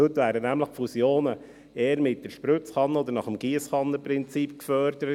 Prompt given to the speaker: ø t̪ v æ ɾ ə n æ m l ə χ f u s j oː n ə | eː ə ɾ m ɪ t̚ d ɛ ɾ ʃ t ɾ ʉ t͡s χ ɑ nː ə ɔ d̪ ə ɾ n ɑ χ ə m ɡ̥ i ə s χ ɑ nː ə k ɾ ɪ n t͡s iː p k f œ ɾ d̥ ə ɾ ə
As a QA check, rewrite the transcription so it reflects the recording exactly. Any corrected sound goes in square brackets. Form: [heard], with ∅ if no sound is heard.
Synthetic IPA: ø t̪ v [æː] ɾ ə n æ m l ə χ f u s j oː n ə | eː ə ɾ m ɪ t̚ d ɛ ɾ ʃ [p] ɾ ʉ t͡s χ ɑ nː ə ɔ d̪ ə ɾ n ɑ χ ə m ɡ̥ i ə s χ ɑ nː ə [p] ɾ ɪ n t͡s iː p k f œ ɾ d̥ ə ɾ ə